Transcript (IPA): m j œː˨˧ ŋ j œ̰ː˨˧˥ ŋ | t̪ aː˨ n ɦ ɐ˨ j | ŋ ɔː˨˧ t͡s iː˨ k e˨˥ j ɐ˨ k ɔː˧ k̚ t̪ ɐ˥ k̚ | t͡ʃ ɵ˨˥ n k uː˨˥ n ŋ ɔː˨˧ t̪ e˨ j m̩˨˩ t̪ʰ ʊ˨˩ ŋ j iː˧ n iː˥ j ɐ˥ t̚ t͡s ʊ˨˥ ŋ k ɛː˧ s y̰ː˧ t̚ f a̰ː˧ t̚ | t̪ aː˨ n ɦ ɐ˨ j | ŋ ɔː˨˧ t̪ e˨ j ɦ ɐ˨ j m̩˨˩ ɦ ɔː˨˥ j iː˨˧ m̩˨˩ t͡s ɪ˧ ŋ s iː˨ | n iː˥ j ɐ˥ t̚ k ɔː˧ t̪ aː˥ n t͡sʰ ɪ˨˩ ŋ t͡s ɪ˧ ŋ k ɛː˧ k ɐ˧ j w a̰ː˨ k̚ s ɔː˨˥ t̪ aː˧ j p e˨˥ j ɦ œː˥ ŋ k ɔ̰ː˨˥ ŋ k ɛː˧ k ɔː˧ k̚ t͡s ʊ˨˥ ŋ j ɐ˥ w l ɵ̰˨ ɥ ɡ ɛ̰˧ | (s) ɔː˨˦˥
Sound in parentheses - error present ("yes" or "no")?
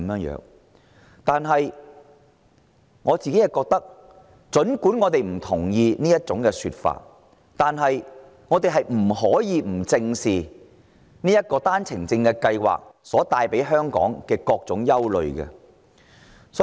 no